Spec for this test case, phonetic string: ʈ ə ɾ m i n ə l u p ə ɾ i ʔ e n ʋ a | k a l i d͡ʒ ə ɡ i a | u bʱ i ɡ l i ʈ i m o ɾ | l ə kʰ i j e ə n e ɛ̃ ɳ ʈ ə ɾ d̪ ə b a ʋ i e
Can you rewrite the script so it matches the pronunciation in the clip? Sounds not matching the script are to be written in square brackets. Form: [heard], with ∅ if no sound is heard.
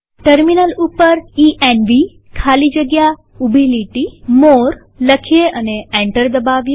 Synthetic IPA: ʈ ə ɾ m i n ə l u p ə ɾ i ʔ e n ʋ [i] | [kʰ] a l i d͡ʒ ə ɡ [j] a | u bʱ i [∅] l i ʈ i m o ɾ | l ə kʰ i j e ə n e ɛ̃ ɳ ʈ ə ɾ d̪ ə b a ʋ [j] e